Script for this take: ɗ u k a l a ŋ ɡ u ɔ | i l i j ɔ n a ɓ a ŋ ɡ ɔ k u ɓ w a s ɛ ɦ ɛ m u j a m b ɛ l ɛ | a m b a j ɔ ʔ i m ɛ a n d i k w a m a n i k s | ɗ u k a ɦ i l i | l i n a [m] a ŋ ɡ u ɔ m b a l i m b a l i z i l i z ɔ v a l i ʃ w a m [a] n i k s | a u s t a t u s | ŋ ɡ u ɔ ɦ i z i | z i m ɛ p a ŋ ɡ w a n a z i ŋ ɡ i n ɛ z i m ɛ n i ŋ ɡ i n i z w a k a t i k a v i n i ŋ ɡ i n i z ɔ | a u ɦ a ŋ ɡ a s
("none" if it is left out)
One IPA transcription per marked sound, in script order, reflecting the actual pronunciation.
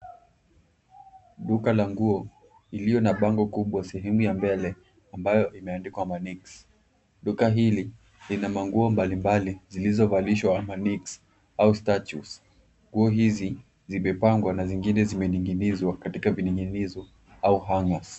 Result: m, a

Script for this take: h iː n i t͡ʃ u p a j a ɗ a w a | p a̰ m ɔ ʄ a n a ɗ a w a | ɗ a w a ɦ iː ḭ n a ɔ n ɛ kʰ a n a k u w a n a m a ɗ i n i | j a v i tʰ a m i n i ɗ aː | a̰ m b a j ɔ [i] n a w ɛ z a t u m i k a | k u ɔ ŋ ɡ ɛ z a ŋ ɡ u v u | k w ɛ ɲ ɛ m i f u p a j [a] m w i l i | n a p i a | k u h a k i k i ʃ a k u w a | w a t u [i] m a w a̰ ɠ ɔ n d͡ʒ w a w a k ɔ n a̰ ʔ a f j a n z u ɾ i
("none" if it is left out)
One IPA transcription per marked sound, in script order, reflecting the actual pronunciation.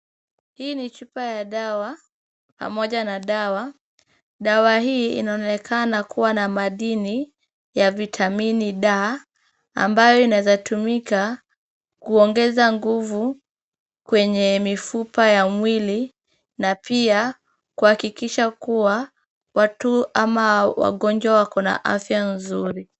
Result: i, a, a

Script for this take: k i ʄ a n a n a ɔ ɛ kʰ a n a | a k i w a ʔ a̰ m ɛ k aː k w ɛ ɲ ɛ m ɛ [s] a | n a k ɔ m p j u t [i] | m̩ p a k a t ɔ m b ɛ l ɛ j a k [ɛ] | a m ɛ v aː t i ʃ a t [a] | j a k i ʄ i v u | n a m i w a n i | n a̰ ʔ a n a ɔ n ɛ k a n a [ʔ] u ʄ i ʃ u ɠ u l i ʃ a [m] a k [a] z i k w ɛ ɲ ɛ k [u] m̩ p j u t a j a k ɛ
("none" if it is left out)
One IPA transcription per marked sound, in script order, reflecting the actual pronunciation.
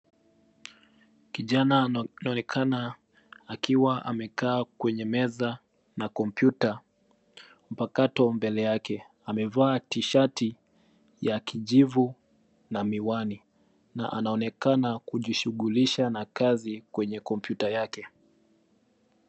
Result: z, a, ɛ, i, k, n, a, ɔ

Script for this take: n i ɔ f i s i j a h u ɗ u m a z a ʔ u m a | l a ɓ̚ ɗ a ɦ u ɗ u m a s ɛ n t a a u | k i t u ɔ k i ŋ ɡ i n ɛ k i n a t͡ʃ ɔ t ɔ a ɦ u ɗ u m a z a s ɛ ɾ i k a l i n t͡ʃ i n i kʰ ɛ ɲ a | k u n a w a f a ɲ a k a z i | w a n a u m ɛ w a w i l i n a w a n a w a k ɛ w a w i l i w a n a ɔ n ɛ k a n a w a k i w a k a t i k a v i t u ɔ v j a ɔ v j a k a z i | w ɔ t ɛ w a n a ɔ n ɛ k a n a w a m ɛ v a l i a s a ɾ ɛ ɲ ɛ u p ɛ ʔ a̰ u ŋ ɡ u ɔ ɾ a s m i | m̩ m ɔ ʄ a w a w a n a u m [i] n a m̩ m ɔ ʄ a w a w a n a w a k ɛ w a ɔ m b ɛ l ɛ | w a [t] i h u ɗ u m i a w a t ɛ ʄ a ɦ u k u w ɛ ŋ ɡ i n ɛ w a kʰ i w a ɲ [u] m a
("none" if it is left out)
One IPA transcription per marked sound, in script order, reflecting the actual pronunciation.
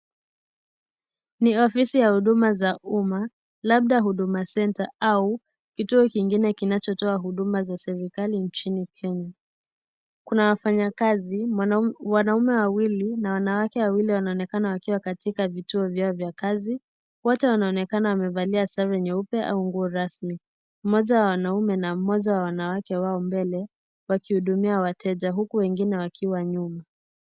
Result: ɛ, k, u

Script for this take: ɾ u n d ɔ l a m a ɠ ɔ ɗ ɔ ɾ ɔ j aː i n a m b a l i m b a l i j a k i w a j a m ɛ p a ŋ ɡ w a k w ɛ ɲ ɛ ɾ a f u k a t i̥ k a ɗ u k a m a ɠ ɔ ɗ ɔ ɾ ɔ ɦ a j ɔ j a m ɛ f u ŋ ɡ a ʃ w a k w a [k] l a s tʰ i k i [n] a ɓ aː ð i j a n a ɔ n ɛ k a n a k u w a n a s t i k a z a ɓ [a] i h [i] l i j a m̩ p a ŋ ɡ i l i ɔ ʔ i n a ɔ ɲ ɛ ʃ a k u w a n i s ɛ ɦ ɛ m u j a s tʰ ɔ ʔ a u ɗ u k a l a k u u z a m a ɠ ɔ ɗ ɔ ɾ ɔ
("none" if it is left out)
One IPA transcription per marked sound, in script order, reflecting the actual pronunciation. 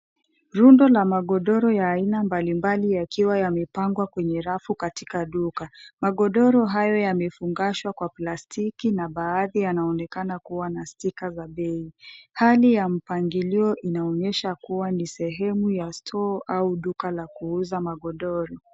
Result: p, n, ɛ, a

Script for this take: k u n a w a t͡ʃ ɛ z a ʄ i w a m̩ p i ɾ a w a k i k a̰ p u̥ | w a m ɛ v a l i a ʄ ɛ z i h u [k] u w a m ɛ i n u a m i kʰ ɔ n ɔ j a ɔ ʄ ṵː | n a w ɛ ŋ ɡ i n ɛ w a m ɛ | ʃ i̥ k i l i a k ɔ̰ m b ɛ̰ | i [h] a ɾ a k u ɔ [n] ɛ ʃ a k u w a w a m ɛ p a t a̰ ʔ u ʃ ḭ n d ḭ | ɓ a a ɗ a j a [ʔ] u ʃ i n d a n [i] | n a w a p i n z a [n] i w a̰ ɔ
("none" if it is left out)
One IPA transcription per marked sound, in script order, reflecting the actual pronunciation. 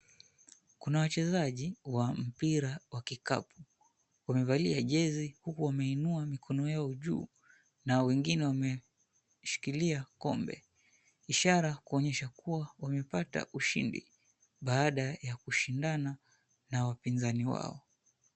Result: k, ʃ, ɲ, k, a, n

